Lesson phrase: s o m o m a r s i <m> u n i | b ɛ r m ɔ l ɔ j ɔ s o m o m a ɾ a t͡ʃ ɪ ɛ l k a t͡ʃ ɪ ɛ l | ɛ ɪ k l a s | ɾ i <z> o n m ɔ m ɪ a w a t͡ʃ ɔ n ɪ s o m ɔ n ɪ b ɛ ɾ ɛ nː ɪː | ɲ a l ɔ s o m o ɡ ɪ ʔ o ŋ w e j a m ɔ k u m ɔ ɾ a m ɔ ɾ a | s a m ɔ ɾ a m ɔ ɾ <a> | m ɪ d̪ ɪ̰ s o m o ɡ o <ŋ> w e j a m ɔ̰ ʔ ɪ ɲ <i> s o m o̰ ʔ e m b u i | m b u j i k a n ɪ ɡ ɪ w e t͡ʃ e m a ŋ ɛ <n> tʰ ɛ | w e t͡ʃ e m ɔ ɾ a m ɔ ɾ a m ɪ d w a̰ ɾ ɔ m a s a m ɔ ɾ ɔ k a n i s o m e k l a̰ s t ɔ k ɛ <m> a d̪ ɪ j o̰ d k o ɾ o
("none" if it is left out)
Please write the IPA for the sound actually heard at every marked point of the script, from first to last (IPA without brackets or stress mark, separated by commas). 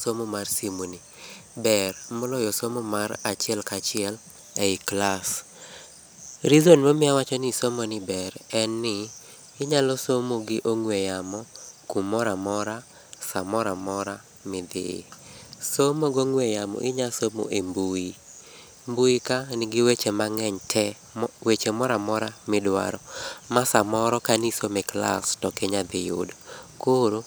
m, z, a, ŋ, a, ɲ, ɲ